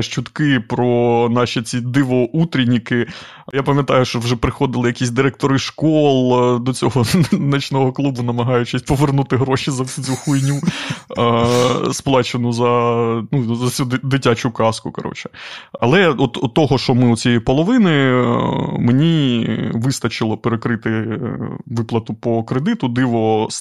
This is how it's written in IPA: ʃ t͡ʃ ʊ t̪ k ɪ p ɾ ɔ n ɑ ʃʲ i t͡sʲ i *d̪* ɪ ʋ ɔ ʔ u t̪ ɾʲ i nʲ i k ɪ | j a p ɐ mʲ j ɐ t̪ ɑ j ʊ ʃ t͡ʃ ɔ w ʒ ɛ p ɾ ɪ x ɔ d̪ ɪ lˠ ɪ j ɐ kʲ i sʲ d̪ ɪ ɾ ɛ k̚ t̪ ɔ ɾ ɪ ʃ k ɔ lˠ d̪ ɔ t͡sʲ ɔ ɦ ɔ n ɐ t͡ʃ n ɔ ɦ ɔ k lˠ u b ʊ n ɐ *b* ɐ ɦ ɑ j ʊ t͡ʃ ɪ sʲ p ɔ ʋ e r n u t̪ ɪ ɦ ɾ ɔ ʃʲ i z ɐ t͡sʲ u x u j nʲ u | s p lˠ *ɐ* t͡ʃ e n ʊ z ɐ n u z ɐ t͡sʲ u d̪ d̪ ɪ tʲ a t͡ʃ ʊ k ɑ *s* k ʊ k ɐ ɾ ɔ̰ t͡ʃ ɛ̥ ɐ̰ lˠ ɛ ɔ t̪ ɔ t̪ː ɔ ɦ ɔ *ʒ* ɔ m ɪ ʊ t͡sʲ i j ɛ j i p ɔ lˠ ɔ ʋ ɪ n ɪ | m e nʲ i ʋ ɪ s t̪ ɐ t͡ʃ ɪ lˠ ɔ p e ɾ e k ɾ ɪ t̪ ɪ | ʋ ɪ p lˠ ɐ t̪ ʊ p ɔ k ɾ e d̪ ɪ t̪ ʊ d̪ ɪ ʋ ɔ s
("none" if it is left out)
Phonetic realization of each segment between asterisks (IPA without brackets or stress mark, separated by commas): d̪, m, ɑ, s, ʃ